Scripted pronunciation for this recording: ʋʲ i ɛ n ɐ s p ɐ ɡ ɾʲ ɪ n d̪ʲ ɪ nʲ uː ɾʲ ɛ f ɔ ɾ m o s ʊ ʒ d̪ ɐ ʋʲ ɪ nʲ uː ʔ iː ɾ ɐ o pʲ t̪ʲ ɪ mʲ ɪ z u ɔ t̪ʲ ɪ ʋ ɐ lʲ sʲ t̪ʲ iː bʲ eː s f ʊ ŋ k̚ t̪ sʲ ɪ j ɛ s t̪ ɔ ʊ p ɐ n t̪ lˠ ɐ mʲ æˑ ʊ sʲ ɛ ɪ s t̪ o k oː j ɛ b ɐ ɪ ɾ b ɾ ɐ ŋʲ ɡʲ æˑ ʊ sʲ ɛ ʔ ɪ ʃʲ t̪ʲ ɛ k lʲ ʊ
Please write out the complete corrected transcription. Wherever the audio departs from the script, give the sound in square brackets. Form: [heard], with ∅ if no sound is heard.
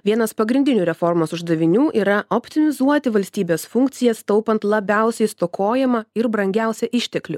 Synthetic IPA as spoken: ʋʲ i ɛ n ɐ s p ɐ ɡ ɾʲ ɪ n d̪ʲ ɪ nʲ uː ɾʲ ɛ f ɔ ɾ m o s ʊ ʒ d̪ ɐ ʋʲ ɪ nʲ uː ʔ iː ɾ ɐ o pʲ t̪ʲ ɪ mʲ ɪ z u ɔ t̪ʲ ɪ ʋ ɐ lʲ sʲ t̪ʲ iː bʲ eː s f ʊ ŋ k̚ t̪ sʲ ɪ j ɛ s t̪ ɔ ʊ p ɐ n t̪ lˠ ɐ [bʲ] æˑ ʊ sʲ ɛ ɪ s t̪ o k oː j ɛ [m] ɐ ɪ ɾ b ɾ ɐ ŋʲ ɡʲ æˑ ʊ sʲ ɛ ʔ ɪ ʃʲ t̪ʲ ɛ k lʲ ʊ